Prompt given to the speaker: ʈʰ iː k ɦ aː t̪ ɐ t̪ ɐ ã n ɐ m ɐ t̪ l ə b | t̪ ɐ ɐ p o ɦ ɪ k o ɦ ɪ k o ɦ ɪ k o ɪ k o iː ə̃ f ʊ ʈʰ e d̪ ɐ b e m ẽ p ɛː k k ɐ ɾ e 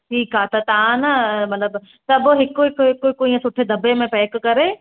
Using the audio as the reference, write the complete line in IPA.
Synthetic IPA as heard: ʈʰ iː k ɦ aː t̪ ɐ t̪ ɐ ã n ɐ m ɐ t̪ l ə b | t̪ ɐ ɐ b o ɦ ɪ k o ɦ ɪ k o ɦ ɪ k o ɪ k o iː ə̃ s ʊ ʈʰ e d̪ ɐ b e m ẽ p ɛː k k ɐ ɾ e